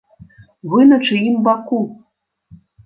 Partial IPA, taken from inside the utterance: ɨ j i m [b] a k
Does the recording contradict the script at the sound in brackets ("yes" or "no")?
no